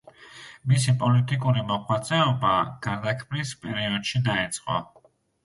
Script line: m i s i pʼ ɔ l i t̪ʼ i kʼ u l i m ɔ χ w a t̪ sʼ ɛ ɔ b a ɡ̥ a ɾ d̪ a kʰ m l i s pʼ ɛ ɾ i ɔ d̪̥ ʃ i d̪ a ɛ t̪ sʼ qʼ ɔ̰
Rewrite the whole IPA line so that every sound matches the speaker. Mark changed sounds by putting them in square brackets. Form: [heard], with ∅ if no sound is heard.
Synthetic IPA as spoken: m i s i pʼ ɔ l i t̪ʼ i kʼ u [ɾ] i m ɔ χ w a t̪ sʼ ɛ ɔ b a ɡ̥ a ɾ d̪ a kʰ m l i s pʼ ɛ ɾ i ɔ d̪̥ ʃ i d̪ a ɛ t̪ sʼ qʼ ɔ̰